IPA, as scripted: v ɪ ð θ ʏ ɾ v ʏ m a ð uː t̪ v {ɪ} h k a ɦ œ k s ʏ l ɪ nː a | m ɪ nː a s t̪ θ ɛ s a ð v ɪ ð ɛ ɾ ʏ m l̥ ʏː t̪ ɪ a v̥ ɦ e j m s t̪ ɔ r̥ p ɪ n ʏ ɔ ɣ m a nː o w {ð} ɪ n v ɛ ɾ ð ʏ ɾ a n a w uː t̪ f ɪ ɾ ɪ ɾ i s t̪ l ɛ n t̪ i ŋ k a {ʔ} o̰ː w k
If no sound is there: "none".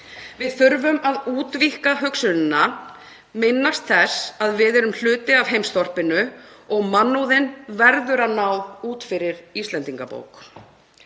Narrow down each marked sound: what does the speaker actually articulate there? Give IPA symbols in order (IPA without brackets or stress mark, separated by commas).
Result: i, ð, p